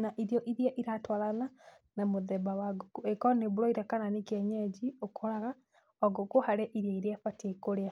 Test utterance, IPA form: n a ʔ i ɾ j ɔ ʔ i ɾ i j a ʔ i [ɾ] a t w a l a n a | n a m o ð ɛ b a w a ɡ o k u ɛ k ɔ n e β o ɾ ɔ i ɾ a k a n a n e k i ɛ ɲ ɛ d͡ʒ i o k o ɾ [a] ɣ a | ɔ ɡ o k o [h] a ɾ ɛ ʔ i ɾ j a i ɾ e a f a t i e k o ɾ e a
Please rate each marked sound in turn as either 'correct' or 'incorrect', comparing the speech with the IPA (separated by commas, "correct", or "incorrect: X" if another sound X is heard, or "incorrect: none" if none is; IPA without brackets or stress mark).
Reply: correct, correct, correct